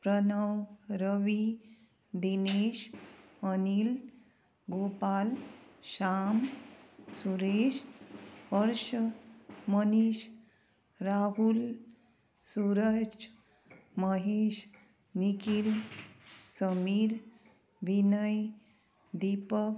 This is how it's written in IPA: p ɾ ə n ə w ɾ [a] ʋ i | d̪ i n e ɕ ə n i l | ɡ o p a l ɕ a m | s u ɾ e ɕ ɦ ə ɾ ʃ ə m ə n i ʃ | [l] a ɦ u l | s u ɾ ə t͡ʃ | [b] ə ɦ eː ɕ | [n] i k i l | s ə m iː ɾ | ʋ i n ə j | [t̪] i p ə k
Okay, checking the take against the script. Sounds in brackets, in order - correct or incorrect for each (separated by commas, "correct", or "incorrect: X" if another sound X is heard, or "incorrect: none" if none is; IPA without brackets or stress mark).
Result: incorrect: ə, incorrect: ɾ, incorrect: m, correct, incorrect: d̪